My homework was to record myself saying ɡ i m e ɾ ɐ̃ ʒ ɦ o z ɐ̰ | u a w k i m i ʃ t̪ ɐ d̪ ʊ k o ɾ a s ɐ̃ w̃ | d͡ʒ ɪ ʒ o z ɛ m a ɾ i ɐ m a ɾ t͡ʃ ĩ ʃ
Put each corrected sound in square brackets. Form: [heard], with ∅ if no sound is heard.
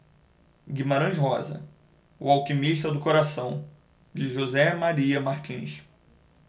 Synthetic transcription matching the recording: ɡ i m [a] ɾ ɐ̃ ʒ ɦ [ɔ] z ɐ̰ | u a w k i m i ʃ t̪ ɐ d̪ ʊ k o ɾ a s ɐ̃ w̃ | d͡ʒ ɪ ʒ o z ɛ m a ɾ i ɐ m a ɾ t͡ʃ ĩ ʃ